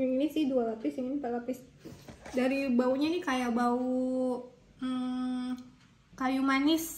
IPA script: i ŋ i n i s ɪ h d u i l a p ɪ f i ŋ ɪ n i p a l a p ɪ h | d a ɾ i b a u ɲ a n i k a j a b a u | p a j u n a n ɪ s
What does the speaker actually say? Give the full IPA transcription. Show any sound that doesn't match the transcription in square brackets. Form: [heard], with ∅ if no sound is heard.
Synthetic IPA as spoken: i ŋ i n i s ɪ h d u [a] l a p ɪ [s] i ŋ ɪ n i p a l a p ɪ [s] | d a ɾ i b a u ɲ a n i k a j a b a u | [k] a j u [m] a n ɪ s